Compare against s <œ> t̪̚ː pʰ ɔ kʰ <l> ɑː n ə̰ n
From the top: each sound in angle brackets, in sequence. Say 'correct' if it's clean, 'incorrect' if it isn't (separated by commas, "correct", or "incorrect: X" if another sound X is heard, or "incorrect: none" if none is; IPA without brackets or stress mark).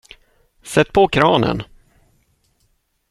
incorrect: ɛ, incorrect: ɾ